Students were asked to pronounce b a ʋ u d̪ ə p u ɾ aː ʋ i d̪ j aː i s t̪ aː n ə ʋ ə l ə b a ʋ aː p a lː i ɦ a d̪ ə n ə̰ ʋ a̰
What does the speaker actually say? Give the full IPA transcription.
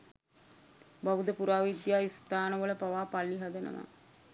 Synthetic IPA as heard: b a ʋ u d̪ ə p u ɾ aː ʋ i d̪ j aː i s t̪ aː n ə ʋ ə l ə p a ʋ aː p a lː i ɦ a d̪ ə n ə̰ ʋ a̰